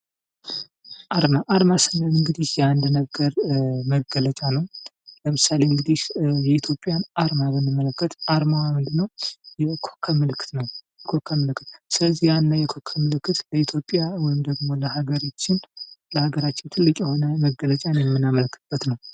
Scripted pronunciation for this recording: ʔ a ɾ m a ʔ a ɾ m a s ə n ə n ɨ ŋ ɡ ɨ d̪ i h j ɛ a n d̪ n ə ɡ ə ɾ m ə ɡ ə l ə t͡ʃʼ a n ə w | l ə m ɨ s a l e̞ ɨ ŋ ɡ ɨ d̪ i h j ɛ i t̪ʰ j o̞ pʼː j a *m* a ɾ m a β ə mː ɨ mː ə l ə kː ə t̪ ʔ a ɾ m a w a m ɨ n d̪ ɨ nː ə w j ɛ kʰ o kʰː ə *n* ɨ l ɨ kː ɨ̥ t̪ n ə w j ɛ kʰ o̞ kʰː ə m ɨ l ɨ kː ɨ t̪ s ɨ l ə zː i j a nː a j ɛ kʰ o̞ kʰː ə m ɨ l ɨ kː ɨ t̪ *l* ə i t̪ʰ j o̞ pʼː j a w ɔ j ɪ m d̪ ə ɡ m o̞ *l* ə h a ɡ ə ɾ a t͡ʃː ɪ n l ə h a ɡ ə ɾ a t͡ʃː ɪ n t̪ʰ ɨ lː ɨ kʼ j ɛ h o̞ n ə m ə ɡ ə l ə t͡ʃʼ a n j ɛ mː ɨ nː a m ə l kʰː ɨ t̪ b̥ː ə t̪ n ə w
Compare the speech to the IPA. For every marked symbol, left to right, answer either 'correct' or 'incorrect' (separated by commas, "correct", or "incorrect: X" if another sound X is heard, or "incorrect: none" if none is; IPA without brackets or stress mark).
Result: incorrect: n, incorrect: m, correct, correct